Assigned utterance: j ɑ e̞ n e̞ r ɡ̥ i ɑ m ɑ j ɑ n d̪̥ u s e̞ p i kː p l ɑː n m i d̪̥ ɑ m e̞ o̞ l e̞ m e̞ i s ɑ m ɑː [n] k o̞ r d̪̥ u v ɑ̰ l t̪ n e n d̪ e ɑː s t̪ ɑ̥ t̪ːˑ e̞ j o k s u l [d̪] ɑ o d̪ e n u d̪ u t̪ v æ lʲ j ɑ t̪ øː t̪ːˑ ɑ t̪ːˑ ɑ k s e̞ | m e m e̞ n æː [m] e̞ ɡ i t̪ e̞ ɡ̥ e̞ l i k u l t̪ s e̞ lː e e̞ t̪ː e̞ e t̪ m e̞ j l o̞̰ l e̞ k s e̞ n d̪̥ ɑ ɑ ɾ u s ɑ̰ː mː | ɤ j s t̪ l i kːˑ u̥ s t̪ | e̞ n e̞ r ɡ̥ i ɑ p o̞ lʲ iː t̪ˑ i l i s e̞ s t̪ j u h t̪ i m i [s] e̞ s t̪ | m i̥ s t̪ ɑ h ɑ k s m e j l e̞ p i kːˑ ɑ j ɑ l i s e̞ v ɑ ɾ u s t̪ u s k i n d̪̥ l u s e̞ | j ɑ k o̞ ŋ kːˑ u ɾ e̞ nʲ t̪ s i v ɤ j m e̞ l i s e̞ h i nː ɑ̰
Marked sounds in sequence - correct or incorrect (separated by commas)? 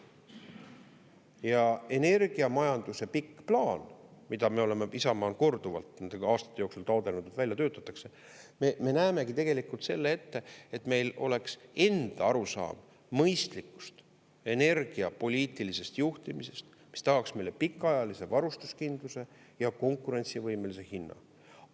correct, incorrect, correct, correct